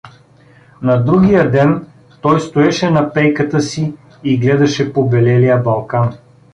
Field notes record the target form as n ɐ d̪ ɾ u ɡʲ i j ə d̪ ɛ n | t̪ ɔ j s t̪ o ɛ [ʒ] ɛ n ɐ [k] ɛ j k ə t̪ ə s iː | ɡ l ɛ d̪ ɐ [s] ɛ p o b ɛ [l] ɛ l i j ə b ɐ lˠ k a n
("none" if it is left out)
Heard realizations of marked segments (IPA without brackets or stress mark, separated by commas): ʃ, p, ʃ, l